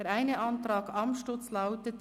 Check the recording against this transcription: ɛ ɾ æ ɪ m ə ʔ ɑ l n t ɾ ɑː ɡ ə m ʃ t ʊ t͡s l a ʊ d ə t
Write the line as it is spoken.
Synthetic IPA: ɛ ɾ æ ɪ n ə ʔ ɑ n t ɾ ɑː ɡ ɑ m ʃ t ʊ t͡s l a ʊ t ə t